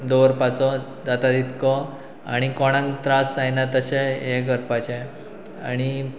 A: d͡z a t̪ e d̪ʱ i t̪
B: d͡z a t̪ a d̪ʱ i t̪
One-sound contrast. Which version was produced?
B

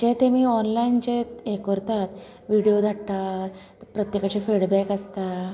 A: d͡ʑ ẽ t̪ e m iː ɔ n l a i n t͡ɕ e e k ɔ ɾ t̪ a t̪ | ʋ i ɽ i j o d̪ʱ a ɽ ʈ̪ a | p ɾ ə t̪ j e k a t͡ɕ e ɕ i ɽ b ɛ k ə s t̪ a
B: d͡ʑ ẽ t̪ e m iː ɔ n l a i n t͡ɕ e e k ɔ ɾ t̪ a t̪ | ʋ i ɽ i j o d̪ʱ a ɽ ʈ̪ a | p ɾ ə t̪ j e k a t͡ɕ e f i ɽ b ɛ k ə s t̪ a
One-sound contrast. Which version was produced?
B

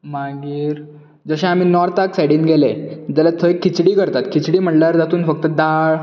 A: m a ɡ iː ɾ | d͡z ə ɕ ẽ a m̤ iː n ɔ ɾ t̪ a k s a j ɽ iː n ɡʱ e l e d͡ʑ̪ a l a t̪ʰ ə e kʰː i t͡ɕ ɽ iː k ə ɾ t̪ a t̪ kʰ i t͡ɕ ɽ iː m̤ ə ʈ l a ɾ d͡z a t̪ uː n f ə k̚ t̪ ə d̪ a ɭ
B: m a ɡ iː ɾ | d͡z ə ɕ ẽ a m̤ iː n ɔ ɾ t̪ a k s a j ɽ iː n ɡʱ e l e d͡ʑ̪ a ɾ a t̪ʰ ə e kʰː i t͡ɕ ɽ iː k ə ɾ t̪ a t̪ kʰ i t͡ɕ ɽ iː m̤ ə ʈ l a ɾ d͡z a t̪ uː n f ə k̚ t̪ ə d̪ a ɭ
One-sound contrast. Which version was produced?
A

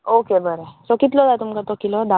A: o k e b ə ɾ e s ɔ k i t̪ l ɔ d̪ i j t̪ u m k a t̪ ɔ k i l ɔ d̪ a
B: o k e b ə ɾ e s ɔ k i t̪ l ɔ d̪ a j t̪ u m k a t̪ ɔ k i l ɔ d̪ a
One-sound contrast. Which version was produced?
B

